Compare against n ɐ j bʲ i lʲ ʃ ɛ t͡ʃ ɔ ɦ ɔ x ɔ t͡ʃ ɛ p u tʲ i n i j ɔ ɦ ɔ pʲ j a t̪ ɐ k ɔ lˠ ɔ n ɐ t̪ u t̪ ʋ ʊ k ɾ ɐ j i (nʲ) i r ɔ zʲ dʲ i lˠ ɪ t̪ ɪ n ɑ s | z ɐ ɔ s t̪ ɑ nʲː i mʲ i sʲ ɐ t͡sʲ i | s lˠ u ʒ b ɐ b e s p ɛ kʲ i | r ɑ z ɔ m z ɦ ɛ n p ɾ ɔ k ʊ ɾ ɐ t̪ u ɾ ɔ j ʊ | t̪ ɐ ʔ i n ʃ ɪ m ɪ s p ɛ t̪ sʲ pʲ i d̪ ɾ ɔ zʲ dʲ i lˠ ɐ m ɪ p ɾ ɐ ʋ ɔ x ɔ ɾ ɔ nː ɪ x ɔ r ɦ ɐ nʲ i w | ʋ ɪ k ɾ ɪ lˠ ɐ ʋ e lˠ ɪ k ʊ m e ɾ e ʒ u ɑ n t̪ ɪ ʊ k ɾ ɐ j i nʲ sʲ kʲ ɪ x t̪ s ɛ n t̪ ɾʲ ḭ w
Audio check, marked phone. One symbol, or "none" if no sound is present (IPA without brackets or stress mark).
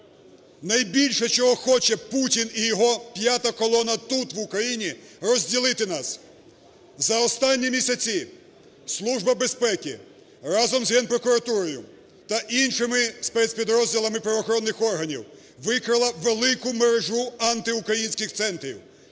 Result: nʲ